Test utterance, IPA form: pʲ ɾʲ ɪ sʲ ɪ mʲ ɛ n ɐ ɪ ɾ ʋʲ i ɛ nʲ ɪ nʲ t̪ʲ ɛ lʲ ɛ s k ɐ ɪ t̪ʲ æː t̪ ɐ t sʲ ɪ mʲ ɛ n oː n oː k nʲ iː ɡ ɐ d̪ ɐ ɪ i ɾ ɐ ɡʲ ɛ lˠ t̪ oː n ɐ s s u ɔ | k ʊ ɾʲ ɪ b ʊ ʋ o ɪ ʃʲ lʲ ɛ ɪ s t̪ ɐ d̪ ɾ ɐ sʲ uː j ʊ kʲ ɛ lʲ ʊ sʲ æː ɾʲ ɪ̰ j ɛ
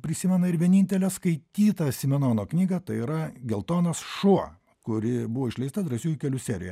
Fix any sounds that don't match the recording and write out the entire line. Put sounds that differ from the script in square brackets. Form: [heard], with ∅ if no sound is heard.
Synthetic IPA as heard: pʲ ɾʲ ɪ sʲ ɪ mʲ ɛ n ɐ ɪ ɾ ʋʲ i ɛ nʲ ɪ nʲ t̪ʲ ɛ lʲ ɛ s k ɐ ɪ t̪ʲ [iː] t̪ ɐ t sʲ ɪ mʲ ɛ n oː n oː k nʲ iː ɡ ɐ [t̪] ɐ ɪ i ɾ ɐ ɡʲ ɛ lˠ t̪ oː n ɐ s [ʃ] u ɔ | k ʊ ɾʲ ɪ b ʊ ʋ o ɪ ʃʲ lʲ ɛ ɪ s t̪ ɐ d̪ ɾ ɐ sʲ uː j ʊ kʲ ɛ lʲ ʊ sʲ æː ɾʲ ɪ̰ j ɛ